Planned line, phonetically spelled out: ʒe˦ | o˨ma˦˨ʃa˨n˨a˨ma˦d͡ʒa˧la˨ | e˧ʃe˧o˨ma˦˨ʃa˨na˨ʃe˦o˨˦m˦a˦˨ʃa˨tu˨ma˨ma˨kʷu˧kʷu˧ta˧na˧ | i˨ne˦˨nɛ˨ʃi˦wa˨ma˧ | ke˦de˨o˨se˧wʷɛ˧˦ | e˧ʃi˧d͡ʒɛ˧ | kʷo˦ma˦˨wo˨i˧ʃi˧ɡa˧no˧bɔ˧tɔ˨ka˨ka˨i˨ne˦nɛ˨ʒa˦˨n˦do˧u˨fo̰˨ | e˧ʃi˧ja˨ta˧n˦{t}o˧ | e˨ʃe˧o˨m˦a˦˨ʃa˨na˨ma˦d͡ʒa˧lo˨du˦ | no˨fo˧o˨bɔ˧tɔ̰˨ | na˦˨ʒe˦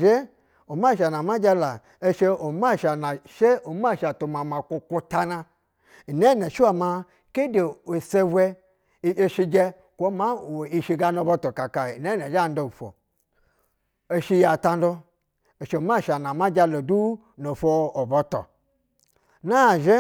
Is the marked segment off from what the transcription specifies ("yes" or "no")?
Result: yes